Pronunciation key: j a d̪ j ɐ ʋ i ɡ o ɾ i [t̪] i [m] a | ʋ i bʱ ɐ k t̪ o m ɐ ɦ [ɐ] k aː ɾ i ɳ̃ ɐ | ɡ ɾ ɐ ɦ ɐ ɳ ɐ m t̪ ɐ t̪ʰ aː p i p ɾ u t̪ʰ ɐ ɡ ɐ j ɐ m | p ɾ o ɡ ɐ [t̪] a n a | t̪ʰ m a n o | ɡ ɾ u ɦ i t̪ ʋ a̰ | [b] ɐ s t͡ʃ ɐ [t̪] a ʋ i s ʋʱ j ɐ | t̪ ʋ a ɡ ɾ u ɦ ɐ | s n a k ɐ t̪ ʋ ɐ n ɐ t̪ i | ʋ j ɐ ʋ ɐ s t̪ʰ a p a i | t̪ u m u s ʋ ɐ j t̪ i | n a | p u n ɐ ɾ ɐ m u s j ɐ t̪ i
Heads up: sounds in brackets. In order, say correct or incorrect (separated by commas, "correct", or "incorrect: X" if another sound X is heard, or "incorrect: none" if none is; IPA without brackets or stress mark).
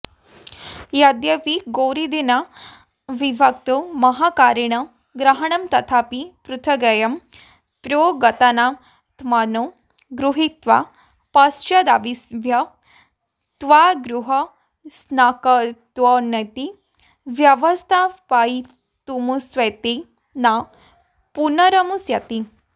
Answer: incorrect: d̪, incorrect: n, incorrect: a, correct, incorrect: p, incorrect: d̪